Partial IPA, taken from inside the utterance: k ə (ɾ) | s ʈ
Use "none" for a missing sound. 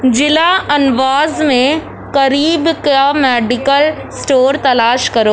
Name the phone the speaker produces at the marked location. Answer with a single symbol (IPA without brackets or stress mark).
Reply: l